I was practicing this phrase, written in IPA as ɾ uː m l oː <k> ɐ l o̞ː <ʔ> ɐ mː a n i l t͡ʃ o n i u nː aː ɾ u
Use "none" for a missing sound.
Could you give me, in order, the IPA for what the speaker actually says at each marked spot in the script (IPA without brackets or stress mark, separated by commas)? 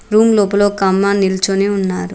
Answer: p, k